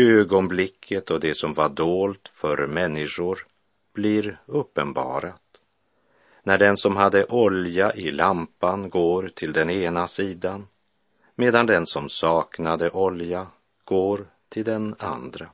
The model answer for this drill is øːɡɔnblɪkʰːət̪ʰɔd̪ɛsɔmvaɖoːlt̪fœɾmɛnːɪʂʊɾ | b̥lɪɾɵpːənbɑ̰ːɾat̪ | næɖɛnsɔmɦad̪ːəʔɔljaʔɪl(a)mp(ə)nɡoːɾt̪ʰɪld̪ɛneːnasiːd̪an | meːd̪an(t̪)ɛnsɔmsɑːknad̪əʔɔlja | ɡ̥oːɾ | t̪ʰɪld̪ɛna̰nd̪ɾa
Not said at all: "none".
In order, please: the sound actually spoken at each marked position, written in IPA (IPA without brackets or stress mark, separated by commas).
a, a, d̪